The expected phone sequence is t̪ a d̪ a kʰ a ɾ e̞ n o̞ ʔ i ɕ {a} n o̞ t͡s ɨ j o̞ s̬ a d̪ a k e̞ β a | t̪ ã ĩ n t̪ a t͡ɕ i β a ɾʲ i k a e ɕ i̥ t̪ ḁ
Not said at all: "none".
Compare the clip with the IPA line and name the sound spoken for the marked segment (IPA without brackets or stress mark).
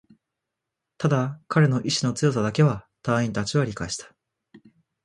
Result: i